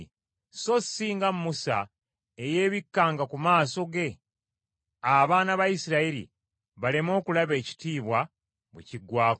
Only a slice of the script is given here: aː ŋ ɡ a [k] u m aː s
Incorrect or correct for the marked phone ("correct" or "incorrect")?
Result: correct